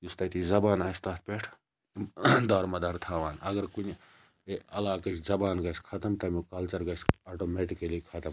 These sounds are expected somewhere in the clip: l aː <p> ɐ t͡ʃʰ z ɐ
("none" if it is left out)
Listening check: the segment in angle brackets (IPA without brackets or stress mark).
k